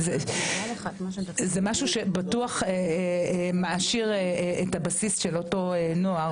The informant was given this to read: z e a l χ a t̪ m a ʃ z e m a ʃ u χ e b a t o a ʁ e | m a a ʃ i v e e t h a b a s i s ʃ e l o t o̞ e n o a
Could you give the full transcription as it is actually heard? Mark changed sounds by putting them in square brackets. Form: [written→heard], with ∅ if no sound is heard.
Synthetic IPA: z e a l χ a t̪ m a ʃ z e m a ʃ u [χ→ʃ] e b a t [o→u] a [ʁ→χ] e | m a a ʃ i [v→ʁ] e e t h a b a s i s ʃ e l o t o̞ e n o a